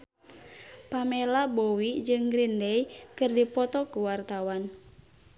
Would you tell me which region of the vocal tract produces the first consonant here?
lips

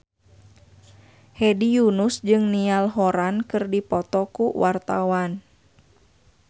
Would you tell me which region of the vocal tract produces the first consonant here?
throat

